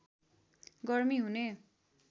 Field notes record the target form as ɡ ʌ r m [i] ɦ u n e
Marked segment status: correct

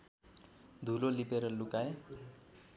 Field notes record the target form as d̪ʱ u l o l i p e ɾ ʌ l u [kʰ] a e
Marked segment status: incorrect: k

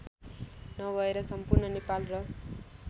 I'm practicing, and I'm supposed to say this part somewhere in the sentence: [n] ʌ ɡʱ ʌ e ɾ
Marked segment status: correct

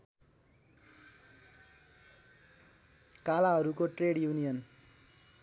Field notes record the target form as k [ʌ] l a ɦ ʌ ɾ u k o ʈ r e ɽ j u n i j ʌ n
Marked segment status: incorrect: a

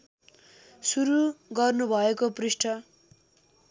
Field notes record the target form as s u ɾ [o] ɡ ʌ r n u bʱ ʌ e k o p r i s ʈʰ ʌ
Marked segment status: incorrect: u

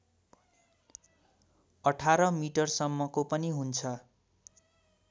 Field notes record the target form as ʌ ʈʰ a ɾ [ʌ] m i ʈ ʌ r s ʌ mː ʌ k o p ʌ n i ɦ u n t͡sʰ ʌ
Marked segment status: correct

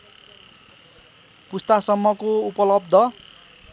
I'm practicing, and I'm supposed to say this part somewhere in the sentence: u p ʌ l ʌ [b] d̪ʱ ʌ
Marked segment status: correct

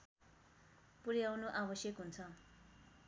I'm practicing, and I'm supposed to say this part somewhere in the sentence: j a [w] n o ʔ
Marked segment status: correct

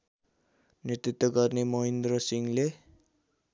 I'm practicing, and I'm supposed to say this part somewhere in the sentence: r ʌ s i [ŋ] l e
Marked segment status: correct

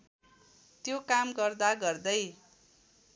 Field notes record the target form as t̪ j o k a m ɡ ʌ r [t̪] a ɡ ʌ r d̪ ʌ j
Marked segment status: incorrect: d̪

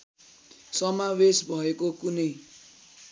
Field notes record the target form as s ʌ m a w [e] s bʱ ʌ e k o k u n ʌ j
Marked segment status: correct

